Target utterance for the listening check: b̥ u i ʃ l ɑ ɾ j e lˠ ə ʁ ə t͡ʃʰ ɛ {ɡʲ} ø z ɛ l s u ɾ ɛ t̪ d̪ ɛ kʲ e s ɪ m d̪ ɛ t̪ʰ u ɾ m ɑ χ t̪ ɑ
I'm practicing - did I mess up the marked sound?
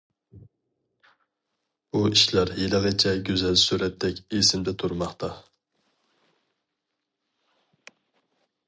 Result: no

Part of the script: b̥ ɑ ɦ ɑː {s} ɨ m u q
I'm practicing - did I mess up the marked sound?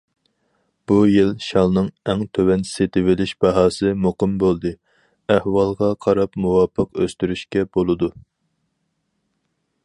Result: no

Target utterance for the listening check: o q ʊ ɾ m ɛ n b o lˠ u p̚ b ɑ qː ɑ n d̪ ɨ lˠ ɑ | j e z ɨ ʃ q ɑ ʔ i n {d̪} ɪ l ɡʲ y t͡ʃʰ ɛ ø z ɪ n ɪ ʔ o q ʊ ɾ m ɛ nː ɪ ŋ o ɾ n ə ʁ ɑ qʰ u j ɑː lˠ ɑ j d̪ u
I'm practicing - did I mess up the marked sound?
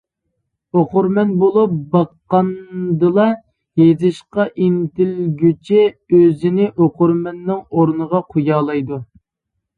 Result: yes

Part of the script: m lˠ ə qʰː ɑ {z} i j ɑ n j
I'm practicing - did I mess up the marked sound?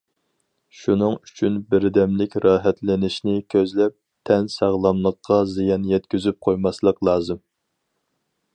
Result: no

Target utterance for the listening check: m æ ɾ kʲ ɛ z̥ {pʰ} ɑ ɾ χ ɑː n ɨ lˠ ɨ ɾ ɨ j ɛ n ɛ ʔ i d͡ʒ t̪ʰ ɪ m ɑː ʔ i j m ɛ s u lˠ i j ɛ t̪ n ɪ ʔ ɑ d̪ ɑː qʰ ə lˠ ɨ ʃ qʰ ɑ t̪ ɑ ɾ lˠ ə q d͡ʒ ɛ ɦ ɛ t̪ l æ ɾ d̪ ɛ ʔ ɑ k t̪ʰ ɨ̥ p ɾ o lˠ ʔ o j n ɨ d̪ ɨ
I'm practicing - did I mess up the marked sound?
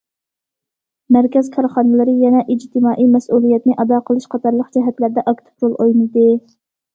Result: yes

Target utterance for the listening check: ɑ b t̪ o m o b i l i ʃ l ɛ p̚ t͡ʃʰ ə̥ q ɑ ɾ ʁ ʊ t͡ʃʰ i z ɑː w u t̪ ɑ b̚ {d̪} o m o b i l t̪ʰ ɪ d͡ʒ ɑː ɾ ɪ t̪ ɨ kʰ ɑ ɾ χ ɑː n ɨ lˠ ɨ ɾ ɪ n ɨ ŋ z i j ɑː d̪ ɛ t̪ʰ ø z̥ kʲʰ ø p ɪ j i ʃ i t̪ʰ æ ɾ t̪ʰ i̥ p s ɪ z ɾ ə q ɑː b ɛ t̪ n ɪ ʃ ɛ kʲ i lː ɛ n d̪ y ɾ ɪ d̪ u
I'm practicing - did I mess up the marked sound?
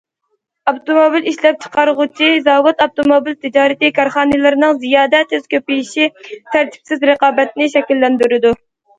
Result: yes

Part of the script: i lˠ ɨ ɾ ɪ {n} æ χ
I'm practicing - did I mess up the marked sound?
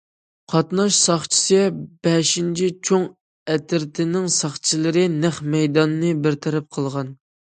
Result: no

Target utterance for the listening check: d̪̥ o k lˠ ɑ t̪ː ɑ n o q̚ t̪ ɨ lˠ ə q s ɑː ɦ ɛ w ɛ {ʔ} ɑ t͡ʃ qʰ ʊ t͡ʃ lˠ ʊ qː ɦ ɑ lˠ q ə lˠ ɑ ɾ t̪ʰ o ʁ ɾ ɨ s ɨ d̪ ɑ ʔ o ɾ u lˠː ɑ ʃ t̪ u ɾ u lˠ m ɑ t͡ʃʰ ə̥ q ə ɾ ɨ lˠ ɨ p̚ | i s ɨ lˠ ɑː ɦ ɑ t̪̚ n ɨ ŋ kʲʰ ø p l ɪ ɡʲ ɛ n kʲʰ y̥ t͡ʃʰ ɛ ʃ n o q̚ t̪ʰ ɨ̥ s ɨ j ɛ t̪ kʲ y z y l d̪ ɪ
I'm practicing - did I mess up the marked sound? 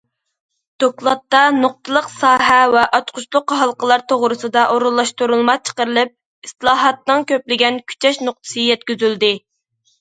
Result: no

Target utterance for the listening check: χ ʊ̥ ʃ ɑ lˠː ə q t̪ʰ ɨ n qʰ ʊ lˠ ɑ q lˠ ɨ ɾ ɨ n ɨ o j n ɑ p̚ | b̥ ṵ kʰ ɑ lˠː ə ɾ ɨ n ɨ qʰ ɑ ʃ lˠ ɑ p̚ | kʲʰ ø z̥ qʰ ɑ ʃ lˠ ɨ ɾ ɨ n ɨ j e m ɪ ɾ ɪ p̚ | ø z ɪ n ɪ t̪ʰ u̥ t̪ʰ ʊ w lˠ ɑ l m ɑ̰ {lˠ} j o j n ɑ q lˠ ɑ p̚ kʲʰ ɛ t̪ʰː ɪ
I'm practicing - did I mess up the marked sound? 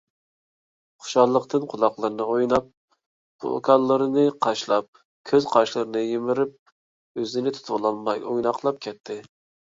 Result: yes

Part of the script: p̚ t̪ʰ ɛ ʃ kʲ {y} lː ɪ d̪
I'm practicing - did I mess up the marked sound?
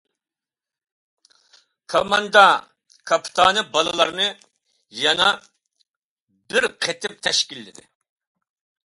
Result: yes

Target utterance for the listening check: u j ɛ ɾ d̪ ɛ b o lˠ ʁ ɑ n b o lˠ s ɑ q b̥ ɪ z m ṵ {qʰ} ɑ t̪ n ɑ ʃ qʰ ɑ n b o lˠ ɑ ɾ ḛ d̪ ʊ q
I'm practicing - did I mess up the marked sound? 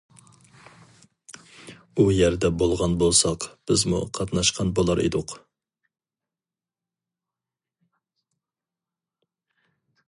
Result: no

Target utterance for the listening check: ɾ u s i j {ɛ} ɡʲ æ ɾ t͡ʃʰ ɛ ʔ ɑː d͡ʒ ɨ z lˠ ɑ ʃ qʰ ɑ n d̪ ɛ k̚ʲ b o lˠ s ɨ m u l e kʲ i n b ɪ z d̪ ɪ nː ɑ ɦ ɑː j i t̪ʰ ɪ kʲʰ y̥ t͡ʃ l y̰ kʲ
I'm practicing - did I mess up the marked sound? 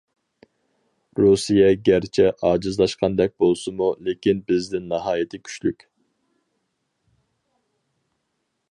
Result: no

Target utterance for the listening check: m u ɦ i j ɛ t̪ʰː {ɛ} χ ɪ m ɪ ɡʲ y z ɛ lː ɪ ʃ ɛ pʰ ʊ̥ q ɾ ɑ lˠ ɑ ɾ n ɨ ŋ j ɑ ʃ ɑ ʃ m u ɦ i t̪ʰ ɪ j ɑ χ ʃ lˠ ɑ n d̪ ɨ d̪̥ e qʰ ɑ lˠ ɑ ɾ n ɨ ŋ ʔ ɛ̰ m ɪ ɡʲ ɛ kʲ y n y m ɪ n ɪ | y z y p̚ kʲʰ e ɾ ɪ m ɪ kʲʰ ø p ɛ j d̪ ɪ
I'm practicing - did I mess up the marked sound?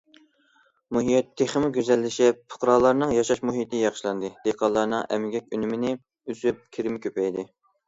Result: yes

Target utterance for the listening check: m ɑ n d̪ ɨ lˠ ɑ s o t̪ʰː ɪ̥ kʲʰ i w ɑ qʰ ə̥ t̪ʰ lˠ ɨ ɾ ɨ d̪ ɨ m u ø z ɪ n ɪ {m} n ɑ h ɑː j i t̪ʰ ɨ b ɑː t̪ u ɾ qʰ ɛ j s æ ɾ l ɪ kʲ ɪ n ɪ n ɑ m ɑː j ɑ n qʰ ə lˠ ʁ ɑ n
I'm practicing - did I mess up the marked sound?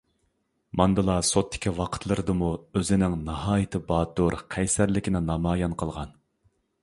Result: yes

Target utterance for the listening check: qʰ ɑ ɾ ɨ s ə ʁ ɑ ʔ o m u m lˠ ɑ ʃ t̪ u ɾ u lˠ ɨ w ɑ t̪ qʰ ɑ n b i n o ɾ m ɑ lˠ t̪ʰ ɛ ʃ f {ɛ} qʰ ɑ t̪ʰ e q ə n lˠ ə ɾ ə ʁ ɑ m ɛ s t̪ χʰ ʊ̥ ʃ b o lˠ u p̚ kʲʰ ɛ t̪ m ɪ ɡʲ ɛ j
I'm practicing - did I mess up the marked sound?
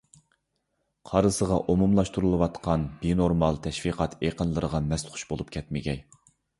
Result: yes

